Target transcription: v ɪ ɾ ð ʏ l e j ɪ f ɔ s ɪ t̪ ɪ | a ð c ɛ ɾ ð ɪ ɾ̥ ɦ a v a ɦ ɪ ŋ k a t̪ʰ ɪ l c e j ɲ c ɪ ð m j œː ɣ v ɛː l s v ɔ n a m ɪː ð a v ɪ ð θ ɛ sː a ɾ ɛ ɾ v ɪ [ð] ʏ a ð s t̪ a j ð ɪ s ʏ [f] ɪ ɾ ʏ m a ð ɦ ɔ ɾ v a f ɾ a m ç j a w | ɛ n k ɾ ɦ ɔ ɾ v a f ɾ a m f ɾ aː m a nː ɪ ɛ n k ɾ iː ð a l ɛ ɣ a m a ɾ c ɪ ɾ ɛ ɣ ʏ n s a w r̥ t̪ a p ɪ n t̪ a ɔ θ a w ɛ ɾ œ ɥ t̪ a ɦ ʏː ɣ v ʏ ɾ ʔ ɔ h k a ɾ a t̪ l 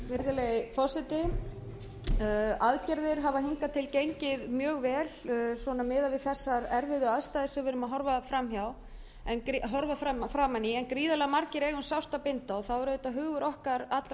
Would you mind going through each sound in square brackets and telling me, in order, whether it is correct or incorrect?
correct, incorrect

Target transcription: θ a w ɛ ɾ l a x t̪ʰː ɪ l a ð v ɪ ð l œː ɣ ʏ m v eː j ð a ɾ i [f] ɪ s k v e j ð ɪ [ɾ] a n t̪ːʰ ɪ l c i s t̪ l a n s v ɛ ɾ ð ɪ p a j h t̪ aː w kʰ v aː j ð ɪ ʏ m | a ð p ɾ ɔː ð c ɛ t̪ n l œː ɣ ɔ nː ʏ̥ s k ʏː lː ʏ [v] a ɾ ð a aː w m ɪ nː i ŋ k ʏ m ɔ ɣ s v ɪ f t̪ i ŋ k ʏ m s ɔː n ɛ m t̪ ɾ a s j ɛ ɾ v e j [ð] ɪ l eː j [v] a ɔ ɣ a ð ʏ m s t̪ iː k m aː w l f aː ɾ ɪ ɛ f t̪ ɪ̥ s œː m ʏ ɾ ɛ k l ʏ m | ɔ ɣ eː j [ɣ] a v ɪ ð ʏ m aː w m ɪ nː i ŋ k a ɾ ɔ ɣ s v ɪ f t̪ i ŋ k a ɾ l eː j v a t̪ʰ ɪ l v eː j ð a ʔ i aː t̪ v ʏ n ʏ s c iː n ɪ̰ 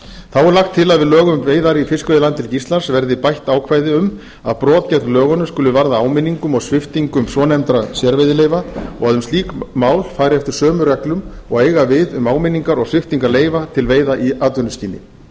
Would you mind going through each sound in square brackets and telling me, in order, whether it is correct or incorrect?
correct, incorrect, correct, correct, correct, correct

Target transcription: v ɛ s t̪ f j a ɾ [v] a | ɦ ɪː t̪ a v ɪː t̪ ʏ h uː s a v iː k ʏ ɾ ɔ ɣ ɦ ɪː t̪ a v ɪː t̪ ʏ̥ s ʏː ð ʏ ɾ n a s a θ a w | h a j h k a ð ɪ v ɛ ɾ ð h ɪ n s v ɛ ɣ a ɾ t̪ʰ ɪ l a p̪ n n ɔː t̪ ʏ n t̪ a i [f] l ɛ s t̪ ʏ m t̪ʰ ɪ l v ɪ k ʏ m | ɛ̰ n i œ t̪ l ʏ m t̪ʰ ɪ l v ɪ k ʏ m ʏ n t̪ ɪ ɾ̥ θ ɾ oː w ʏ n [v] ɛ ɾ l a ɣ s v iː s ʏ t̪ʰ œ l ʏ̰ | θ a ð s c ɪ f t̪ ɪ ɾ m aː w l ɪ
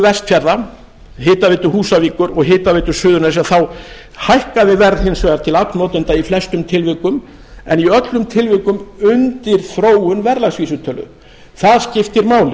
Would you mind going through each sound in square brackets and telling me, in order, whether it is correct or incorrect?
incorrect, correct, correct

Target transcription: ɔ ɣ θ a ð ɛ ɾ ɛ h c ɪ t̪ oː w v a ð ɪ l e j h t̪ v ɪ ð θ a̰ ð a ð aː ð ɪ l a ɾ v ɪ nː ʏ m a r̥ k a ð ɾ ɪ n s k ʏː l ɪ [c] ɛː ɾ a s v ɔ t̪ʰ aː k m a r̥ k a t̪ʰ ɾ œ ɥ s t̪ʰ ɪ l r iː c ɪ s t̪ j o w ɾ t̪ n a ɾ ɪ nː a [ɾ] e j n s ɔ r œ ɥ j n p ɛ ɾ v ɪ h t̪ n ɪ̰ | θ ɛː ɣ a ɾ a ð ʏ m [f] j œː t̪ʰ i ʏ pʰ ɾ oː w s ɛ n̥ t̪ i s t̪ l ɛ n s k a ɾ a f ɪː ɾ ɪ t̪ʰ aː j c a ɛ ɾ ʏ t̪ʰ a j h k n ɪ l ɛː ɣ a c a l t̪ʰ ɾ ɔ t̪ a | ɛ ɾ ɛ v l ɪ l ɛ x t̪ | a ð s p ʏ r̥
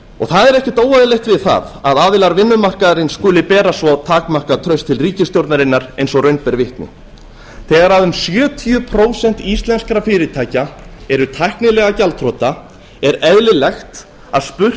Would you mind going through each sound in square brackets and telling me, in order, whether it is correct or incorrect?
incorrect, correct, incorrect

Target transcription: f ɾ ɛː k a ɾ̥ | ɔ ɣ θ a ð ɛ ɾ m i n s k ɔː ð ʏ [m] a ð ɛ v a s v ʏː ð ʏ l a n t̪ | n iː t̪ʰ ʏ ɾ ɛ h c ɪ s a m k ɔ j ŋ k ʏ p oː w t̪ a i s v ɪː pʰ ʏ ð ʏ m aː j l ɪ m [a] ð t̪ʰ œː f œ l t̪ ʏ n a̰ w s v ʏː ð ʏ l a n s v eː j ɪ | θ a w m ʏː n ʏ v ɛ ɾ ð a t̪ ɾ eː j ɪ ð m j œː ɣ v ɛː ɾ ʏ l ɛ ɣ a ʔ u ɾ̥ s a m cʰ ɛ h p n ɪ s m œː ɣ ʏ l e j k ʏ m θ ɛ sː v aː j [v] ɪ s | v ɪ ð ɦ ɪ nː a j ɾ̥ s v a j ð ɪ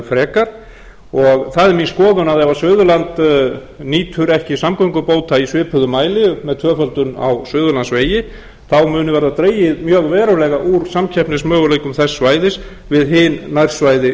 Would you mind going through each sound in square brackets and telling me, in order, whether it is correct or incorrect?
incorrect, incorrect, incorrect

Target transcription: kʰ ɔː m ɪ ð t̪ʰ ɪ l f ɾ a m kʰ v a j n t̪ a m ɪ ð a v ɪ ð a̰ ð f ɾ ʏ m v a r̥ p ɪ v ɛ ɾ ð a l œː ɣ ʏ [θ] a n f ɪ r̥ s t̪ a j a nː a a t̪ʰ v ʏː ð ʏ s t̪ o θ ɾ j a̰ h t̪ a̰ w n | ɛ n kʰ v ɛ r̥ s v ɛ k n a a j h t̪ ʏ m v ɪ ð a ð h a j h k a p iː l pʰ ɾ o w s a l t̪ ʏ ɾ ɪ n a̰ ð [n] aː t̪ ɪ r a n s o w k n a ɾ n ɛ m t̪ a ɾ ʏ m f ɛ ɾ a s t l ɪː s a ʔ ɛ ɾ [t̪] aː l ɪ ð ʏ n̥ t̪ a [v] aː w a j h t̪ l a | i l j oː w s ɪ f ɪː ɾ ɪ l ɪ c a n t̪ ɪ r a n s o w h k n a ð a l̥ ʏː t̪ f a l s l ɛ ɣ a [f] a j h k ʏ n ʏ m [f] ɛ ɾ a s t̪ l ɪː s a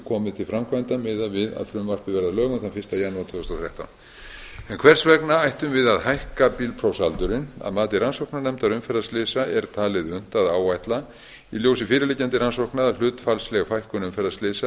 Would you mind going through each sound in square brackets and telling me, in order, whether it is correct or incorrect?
correct, incorrect, incorrect, incorrect, correct, correct

